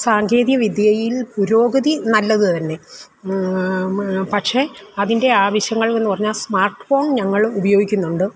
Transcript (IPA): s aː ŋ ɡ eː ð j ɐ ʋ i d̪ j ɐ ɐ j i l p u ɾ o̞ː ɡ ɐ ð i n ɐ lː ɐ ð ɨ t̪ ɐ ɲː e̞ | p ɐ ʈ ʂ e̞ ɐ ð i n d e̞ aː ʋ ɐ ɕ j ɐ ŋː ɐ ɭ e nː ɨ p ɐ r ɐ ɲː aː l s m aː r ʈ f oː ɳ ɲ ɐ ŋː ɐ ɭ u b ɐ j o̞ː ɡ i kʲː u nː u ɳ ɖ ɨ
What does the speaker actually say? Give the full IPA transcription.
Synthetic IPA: s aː ŋ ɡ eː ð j ɐ ʋ i d̪ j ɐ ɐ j i l p u ɾ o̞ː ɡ ɐ ð i n ɐ lː ɐ ð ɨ t̪ ɐ nː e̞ | p ɐ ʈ ʂ e̞ ɐ ð i n d e̞ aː ʋ ɐ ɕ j ɐ ŋː ɐ ɭ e nː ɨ p ɐ r ɐ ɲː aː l s m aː r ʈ f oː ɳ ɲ ɐ ŋː ɐ ɭ u b ɐ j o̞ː ɡ i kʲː u nː u ɳ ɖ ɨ

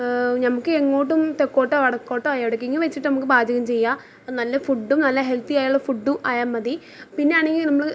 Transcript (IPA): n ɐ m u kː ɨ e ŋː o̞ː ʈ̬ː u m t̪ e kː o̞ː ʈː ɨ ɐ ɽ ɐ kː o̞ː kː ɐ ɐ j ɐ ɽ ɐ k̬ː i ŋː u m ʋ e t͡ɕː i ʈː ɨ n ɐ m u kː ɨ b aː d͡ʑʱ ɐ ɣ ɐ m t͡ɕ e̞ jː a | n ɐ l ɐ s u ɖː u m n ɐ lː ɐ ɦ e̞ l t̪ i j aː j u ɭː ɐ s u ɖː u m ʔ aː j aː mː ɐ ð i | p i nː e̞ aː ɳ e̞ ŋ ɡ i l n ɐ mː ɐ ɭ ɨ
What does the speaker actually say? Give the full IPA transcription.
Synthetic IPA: n ɐ m u kː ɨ e ŋː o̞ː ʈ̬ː u m t̪ e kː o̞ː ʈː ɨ ɐ ɽ ɐ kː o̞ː ʈː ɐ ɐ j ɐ ɽ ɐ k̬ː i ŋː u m ʋ e t͡ɕː i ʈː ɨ n ɐ m u kː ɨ b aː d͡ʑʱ ɐ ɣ ɐ m t͡ɕ e̞ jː a | n ɐ lː ɐ f u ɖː u m n ɐ lː ɐ ɦ e̞ l t̪ i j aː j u ɭː ɐ f u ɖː u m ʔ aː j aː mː ɐ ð i | p i nː e̞ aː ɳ e̞ ŋ ɡ i l n ɐ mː ɐ ɭ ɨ

